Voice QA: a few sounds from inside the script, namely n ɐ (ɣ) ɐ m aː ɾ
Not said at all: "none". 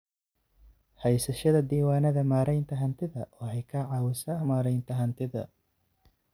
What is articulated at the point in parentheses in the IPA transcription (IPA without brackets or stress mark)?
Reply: ð